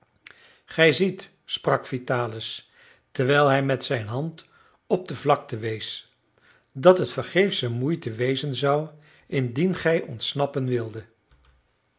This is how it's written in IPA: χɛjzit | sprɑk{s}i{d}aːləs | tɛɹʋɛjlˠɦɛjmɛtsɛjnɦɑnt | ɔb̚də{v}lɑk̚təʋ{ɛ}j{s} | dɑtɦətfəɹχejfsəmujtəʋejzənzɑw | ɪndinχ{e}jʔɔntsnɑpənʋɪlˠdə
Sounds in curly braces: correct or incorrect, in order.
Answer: incorrect: f, incorrect: t, correct, incorrect: e, correct, incorrect: ɛ

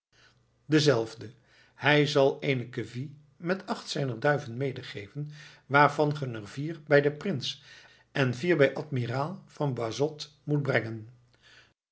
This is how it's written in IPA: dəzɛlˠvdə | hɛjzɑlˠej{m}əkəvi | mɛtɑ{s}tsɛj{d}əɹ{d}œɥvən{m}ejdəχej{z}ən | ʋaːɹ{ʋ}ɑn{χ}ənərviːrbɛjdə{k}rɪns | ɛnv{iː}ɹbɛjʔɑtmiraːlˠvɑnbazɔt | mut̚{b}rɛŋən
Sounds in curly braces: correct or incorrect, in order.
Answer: incorrect: n, incorrect: χ, incorrect: n, correct, correct, incorrect: v, incorrect: v, correct, incorrect: p, correct, correct

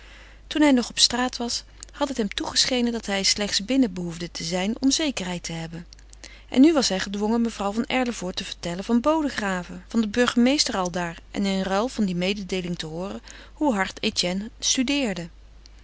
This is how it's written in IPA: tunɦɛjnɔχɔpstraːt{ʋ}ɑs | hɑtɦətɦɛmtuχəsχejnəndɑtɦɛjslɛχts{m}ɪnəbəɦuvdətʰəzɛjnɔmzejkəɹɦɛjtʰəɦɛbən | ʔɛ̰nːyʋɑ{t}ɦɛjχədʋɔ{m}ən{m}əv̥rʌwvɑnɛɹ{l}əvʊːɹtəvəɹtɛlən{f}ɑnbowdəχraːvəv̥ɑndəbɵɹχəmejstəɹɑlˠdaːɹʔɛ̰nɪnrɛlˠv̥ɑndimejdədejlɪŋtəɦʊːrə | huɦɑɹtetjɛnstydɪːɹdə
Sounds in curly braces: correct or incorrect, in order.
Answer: correct, incorrect: b, incorrect: s, incorrect: ŋ, correct, correct, incorrect: v

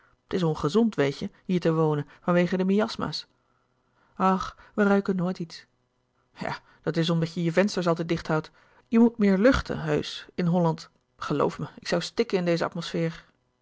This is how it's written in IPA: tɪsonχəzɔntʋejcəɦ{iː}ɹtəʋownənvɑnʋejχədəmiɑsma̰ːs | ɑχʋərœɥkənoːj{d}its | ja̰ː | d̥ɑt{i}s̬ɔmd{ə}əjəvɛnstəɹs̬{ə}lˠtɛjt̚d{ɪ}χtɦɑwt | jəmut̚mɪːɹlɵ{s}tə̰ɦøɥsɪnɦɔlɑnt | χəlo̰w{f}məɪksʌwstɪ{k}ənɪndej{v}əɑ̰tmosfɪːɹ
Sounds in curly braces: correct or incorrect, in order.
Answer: correct, incorrect: t, incorrect: ɪ, incorrect: ɑ, incorrect: ɑ, correct, incorrect: χ, correct, correct, incorrect: z

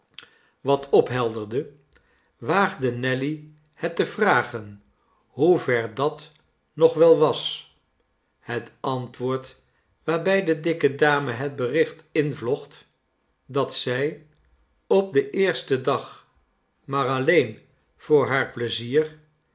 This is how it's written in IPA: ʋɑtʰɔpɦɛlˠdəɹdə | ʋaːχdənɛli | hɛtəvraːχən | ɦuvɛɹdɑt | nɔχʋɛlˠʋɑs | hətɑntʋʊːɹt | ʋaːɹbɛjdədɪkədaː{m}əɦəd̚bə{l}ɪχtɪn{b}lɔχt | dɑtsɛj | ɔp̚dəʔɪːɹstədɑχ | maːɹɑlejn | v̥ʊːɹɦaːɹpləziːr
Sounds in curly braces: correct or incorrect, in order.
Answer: correct, incorrect: r, incorrect: v

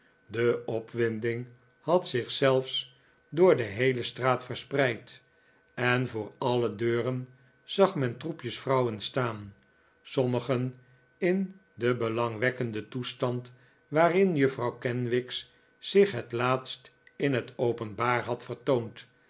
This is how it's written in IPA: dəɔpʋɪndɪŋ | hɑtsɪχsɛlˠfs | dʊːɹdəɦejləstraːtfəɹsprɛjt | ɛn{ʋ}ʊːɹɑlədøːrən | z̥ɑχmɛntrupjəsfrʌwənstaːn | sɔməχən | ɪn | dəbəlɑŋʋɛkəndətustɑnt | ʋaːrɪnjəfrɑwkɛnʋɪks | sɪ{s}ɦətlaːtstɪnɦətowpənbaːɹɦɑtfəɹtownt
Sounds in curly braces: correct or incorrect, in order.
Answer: incorrect: v, incorrect: χ

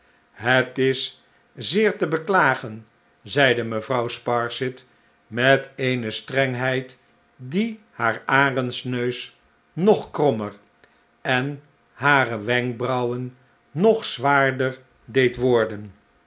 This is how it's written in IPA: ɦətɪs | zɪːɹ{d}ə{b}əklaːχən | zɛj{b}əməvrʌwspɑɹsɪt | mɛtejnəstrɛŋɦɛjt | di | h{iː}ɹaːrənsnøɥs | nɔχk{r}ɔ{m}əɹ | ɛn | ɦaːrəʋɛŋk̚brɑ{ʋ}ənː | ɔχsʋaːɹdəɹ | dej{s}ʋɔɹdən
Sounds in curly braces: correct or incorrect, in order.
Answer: incorrect: t, correct, incorrect: d, incorrect: aː, correct, correct, incorrect: w, incorrect: t

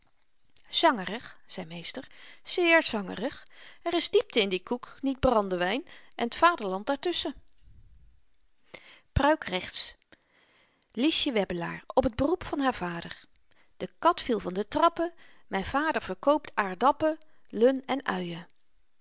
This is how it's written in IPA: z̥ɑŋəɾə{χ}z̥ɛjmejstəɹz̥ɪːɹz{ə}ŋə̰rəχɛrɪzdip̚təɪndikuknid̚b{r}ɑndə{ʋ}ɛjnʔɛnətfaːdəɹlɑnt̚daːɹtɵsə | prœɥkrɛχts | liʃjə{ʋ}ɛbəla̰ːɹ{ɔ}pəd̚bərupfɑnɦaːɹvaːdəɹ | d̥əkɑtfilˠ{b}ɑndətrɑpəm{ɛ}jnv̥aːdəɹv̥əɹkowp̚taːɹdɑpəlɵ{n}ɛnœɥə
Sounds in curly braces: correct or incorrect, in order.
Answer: correct, incorrect: ɑ, correct, correct, correct, correct, incorrect: v, correct, correct

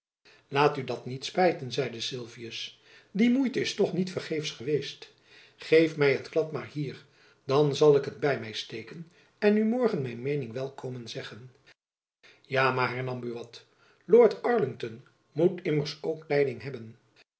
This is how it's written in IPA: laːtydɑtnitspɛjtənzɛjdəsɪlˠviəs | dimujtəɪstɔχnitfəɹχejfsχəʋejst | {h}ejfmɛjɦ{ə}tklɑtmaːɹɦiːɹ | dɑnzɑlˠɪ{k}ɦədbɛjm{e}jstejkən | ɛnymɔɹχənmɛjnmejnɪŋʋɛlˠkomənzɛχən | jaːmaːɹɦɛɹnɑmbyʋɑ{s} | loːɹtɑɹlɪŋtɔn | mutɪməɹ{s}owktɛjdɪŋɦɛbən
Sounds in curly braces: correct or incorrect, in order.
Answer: incorrect: χ, correct, correct, incorrect: ɛ, incorrect: t, correct

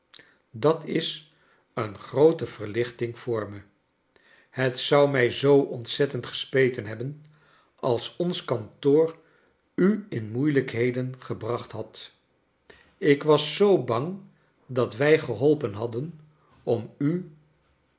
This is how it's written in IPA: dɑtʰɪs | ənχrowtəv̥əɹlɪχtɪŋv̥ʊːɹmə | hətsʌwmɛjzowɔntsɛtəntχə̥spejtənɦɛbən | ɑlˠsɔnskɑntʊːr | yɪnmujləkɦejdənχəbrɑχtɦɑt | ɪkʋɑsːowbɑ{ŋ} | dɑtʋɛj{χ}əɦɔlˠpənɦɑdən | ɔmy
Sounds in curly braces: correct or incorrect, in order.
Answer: correct, correct

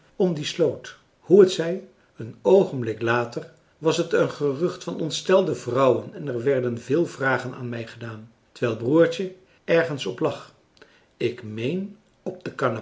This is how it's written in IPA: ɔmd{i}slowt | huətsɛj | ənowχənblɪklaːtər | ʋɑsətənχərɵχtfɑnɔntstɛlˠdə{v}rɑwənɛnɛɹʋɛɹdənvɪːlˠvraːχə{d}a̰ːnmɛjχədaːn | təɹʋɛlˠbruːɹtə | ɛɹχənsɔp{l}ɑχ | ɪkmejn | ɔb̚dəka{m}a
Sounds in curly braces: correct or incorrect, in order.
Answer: correct, correct, incorrect: n, correct, incorrect: n

